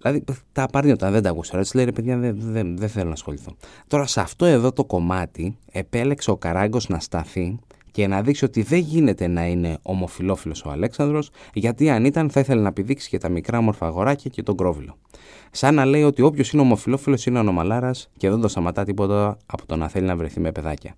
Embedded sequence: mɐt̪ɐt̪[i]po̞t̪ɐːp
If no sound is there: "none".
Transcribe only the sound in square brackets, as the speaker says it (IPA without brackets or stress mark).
i